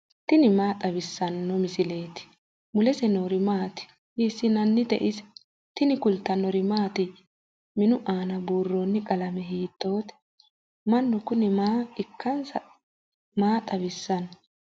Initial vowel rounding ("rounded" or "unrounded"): unrounded